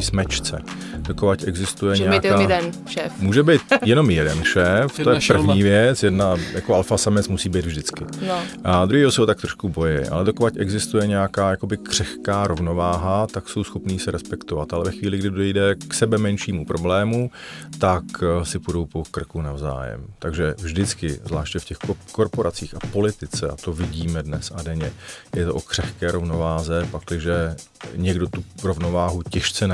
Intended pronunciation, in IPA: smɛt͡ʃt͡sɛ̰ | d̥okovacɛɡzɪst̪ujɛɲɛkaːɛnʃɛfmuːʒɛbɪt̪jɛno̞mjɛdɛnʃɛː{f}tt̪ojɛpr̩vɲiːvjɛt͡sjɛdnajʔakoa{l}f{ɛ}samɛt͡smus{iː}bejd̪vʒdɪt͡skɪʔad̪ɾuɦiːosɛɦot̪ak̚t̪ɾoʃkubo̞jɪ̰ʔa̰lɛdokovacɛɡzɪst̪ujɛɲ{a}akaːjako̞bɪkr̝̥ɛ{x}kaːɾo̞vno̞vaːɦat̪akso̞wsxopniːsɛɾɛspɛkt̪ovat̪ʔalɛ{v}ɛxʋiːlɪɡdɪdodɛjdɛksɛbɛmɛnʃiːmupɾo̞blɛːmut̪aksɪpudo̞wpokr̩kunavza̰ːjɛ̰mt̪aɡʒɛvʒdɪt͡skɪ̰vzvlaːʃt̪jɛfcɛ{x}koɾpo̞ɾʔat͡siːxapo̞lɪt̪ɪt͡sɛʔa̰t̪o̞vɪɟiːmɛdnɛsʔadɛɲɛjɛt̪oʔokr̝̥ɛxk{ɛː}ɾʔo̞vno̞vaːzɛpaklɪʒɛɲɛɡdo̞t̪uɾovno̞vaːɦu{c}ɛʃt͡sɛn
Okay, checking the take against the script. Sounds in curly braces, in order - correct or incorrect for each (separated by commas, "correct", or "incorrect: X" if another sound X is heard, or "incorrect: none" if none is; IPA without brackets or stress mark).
correct, correct, incorrect: a, correct, incorrect: ɛ, correct, correct, correct, correct, correct